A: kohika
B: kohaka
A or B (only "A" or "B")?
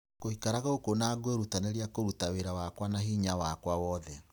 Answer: A